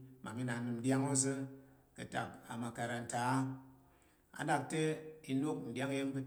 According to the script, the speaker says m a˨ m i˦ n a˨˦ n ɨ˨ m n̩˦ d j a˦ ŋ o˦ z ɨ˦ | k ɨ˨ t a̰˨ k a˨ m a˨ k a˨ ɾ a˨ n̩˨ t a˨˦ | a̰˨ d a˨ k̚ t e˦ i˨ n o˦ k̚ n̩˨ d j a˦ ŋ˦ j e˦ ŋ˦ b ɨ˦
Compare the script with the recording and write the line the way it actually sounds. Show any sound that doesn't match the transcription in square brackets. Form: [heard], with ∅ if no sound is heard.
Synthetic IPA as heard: m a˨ m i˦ n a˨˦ n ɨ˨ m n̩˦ d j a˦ ŋ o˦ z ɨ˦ | k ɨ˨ t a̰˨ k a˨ m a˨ k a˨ ɾ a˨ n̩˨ t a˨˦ | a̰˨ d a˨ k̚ t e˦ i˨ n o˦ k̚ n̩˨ d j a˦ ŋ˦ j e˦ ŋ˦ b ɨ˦